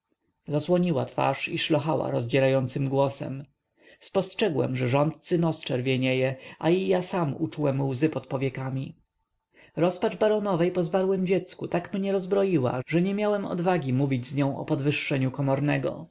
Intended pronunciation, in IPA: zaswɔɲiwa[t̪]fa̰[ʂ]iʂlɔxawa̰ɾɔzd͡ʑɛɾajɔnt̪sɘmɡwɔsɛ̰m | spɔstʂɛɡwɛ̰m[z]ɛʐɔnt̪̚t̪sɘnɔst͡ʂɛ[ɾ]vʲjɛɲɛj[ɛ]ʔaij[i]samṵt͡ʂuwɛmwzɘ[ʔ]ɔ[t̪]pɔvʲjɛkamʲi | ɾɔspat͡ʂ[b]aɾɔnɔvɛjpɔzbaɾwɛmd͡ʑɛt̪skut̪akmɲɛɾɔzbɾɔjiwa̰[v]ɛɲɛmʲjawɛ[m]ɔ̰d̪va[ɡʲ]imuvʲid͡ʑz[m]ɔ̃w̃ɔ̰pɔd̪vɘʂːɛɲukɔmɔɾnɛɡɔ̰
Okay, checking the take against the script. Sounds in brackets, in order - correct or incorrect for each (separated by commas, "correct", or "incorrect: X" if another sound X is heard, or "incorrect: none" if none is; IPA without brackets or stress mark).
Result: correct, correct, incorrect: ʐ, correct, correct, incorrect: a, incorrect: p, correct, correct, incorrect: ʐ, correct, correct, incorrect: ɲ